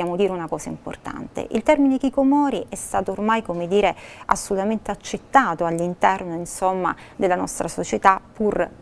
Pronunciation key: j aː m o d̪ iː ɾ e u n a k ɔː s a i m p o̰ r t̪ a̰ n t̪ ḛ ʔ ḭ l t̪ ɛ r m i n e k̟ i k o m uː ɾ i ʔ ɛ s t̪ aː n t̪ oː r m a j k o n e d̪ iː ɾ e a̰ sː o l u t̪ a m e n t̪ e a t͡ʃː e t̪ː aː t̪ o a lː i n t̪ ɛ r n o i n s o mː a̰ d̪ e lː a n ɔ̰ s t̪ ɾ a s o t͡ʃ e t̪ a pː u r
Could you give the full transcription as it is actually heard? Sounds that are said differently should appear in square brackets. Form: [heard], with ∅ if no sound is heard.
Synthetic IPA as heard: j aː m o d̪ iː ɾ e u n a k ɔː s a i m p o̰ r t̪ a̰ n t̪ ḛ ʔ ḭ l t̪ ɛ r m i n e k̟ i k o m [ɔː] ɾ i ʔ ɛ s t̪ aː [∅] t̪ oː r m a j k o [m] e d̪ iː ɾ e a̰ sː o l u t̪ a m e n t̪ e a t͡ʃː e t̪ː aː t̪ o a lː i n t̪ ɛ r n o i n s o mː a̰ d̪ e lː a n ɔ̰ s t̪ ɾ a s o t͡ʃ e t̪ a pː u r